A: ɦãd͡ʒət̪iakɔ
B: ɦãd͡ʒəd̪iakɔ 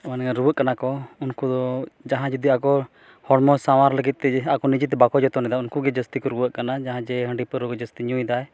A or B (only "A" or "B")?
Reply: B